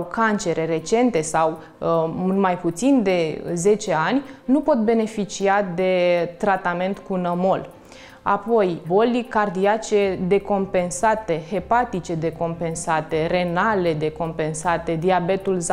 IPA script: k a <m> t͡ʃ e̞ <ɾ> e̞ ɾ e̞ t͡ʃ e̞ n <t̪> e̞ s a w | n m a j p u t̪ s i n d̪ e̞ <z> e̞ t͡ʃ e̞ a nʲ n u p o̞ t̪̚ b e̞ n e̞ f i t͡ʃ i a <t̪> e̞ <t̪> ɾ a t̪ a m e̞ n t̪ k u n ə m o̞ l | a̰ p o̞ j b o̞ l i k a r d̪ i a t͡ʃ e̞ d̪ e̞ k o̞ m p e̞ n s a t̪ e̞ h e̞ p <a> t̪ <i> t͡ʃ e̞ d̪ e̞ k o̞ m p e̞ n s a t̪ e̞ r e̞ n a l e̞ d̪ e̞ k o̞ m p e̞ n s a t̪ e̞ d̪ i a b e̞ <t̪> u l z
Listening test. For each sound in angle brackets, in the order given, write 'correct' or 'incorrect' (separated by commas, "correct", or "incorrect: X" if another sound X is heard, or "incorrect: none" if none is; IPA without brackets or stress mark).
incorrect: n, correct, correct, correct, incorrect: d̪, correct, correct, correct, correct